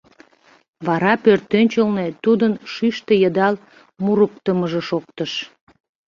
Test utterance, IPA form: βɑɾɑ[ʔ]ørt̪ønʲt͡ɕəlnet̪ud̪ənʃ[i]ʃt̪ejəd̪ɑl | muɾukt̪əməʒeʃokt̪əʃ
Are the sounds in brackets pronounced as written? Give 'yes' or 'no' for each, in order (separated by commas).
no, no